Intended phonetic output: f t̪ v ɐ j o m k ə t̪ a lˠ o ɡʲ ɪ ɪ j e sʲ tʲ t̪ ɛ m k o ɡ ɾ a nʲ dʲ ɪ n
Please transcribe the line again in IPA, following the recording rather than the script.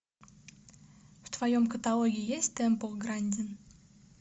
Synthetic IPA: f t̪ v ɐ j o m k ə t̪ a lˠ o ɡʲ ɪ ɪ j e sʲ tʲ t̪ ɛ m p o ɡ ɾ a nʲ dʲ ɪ n